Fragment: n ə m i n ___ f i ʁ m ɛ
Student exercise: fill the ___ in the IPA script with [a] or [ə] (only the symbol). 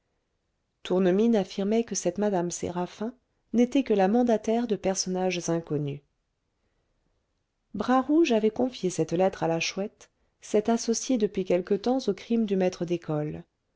a